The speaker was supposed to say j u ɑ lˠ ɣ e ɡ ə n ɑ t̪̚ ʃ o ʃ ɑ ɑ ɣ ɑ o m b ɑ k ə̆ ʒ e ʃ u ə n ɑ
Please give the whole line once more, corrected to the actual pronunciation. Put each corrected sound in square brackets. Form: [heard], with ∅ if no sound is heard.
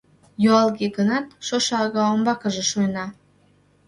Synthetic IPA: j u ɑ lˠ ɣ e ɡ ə n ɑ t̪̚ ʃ o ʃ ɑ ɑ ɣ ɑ o m b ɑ k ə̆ ʒ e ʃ u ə n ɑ